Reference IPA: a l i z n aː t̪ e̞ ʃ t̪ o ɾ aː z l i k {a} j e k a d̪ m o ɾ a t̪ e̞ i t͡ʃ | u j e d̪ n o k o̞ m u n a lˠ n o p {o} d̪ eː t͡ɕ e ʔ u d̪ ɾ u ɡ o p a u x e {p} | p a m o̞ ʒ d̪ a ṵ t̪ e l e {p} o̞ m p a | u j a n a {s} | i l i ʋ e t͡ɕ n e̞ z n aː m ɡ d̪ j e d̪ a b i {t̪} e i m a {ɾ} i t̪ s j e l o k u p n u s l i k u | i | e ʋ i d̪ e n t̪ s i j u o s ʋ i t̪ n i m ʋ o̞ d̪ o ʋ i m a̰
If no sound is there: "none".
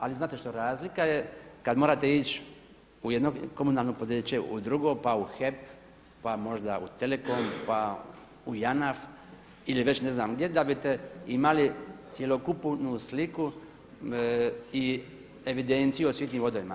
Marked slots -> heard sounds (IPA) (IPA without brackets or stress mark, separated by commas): a, o, p, k, f, t̪, l